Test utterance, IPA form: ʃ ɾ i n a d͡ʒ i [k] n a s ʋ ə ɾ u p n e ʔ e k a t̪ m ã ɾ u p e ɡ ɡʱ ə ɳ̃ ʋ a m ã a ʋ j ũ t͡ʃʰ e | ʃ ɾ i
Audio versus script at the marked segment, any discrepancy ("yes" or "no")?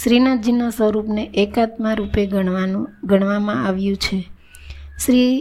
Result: yes